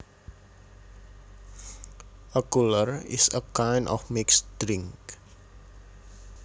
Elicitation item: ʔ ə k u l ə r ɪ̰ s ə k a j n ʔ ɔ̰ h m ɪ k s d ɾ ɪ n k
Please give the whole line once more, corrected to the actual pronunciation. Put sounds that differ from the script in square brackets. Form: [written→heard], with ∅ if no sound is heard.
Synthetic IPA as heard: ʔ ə k u l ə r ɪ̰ s ə k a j n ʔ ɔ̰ [h→f] m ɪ k s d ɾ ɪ [n→ŋ] k